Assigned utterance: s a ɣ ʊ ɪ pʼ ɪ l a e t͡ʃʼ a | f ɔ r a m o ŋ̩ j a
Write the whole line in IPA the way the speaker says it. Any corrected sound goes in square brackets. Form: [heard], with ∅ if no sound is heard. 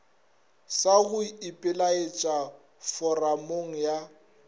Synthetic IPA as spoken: s a ɣ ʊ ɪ pʼ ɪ l a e t͡ʃʼ a | f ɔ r a m o ŋ̩ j a